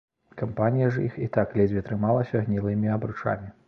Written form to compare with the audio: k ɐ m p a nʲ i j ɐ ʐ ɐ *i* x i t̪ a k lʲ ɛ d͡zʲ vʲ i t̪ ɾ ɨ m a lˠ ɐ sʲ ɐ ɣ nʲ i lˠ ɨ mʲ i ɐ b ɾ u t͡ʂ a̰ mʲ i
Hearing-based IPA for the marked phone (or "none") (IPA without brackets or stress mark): i